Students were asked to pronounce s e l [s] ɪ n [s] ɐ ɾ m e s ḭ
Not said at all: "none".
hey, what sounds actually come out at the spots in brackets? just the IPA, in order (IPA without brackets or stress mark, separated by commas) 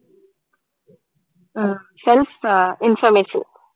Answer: f, f